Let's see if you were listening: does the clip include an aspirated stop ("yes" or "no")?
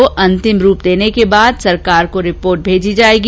no